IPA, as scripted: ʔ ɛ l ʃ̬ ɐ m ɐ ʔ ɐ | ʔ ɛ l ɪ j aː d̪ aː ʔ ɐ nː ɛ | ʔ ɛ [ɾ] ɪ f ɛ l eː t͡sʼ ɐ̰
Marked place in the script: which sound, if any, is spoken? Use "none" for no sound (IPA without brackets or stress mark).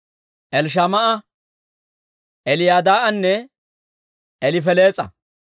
l